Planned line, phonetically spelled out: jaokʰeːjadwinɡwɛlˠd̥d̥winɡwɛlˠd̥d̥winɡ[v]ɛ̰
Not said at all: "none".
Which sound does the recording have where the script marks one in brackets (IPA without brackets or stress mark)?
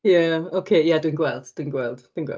w